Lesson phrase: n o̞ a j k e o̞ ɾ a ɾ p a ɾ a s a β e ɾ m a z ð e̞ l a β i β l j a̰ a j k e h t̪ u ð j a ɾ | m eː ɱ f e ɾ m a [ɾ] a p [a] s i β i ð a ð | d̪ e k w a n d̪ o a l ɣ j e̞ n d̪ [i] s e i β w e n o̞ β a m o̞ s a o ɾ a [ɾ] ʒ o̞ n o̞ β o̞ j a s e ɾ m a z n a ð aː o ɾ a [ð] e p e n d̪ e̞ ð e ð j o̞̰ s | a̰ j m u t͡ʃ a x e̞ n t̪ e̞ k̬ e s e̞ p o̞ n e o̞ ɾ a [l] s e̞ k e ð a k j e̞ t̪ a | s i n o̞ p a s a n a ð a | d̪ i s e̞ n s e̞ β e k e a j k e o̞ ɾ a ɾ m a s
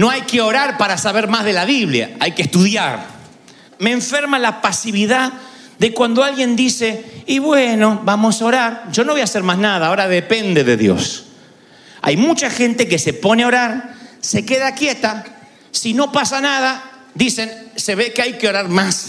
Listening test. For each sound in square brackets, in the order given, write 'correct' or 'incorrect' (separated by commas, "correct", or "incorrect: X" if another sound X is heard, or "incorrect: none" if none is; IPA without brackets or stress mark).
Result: incorrect: l, correct, correct, correct, correct, incorrect: ɾ